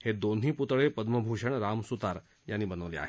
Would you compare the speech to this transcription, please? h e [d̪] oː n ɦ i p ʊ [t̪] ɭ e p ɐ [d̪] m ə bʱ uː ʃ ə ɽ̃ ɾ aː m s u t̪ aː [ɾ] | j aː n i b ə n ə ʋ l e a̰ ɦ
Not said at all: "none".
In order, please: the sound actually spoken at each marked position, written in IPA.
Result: d̪, t̪, d̪, ɾ

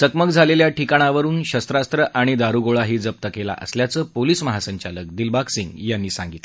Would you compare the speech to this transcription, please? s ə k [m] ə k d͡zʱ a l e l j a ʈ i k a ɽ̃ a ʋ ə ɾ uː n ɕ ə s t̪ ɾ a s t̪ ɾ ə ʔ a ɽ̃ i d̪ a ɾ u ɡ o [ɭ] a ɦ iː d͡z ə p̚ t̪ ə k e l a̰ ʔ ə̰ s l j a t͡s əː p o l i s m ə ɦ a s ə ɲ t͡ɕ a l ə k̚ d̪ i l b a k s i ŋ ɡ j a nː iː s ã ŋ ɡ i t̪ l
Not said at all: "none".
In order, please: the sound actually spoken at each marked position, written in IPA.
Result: m, ɭ

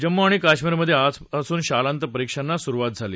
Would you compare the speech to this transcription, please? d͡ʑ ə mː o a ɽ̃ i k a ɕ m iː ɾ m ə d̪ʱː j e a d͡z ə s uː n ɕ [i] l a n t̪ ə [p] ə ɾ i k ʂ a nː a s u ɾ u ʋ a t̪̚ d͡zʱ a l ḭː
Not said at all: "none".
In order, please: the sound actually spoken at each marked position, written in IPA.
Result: a, p

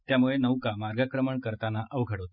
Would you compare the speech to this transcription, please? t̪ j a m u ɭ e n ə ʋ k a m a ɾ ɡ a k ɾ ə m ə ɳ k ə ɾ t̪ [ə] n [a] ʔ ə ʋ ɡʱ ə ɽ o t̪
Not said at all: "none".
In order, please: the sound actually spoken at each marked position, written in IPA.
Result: a, a

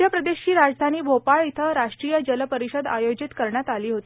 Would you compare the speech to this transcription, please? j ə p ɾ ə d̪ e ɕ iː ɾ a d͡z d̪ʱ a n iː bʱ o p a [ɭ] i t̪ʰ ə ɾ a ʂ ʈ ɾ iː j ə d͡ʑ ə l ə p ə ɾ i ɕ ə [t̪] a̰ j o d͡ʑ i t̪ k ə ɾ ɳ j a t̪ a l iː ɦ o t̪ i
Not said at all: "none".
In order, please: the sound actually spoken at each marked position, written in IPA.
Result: ɭ, d̪

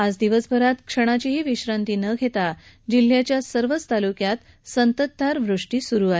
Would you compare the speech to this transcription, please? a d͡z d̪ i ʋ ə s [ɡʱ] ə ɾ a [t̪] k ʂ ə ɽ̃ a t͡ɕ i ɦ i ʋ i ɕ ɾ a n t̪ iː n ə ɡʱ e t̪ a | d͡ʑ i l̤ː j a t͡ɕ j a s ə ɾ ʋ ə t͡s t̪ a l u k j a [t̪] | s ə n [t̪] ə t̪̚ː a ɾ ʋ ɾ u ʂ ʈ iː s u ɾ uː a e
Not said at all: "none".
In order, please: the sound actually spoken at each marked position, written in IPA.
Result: bʱ, t̪, t̪, t̪

